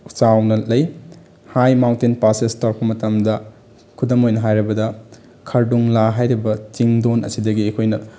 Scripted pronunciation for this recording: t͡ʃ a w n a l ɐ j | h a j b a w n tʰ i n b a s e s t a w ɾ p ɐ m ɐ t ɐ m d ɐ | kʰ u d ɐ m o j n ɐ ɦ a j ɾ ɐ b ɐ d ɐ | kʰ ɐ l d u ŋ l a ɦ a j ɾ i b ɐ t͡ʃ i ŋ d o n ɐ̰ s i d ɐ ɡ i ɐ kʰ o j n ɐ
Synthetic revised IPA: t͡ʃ a w n ɐ l ɐ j | h a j m a w n t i n p a s e s t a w ɾ p ɐ m ɐ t ɐ m d ɐ | kʰ u d ɐ m o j n ɐ ɦ a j ɾ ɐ b ɐ d ɐ | kʰ ɐ ɾ d u ŋ l a ɦ a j ɾ i b ɐ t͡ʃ i ŋ d o n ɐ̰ s i d ɐ ɡ i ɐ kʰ o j n ɐ